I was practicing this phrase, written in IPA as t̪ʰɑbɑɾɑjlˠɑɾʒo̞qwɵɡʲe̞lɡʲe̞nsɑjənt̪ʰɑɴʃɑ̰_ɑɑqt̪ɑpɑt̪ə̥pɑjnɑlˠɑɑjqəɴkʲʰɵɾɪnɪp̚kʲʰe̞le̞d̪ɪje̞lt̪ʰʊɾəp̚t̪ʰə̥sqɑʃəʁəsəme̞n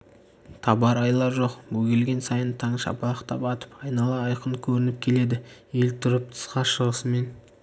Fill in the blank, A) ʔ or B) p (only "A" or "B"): B